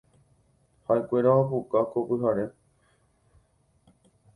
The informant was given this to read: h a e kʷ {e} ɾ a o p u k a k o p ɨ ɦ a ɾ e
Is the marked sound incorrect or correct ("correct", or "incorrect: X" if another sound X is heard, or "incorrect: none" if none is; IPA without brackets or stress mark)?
correct